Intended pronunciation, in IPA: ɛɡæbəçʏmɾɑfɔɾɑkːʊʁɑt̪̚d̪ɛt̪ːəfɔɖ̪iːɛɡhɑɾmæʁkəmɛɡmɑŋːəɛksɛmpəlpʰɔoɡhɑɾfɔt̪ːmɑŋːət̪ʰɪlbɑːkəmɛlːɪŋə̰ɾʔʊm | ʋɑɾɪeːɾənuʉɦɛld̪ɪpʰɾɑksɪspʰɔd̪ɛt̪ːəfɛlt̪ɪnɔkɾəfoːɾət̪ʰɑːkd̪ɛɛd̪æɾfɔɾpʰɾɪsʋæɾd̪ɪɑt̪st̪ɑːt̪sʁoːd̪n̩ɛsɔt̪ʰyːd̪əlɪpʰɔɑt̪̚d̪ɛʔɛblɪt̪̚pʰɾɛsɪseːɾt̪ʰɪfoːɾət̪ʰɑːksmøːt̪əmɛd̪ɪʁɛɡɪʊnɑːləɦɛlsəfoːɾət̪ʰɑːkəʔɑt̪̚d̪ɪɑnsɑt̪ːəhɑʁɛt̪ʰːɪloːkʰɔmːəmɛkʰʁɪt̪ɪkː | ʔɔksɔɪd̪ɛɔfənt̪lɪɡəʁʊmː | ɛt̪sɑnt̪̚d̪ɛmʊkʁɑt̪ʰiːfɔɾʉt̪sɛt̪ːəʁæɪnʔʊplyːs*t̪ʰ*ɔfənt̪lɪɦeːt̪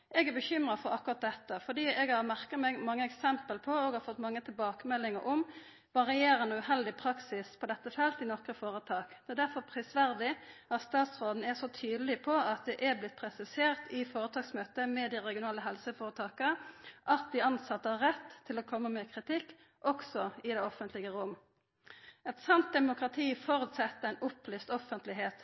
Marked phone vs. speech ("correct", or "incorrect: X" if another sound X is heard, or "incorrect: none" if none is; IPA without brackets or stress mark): incorrect: t̪